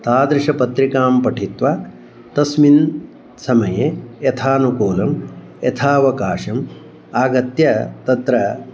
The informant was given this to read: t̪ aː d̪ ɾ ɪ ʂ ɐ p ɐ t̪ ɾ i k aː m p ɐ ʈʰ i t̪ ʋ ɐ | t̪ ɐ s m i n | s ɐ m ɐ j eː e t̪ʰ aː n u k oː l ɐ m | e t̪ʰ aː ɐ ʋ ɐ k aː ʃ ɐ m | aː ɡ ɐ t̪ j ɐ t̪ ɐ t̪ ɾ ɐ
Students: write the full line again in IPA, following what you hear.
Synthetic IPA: t̪ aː d̪ ɾ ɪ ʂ ɐ p ɐ t̪ ɾ i k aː m p ɐ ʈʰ i t̪ ʋ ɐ | t̪ ɐ s m i n | s ɐ m ɐ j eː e t̪ʰ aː n u k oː l ɐ m | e t̪ʰ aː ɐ ʋ ɐ k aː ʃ ɐ m | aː ɡ ɐ t̪ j ɐ t̪ ɐ t̪ ɾ ɐ